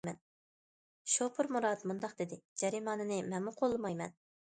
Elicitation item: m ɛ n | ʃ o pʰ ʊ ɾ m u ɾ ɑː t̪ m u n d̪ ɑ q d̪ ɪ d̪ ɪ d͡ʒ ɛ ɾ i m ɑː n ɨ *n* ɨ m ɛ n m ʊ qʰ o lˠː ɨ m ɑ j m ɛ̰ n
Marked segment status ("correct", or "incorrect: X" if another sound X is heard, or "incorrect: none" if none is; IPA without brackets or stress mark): correct